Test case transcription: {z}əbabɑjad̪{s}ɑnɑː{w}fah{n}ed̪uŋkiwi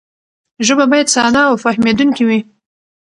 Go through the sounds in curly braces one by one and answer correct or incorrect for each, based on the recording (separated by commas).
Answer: incorrect, correct, correct, incorrect